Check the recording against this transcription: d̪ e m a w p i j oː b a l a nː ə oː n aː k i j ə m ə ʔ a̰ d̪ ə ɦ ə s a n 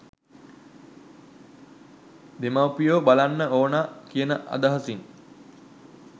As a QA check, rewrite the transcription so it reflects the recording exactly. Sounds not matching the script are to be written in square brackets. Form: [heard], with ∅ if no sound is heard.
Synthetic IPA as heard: d̪ e m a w p i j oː b a l a nː ə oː n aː k i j ə [n] ə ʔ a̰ d̪ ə ɦ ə s [i] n